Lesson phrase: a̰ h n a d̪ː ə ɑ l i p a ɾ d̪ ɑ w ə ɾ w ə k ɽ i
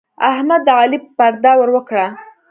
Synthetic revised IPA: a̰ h m a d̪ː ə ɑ l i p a ɾ d̪ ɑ w ə ɾ w ə k ɽ a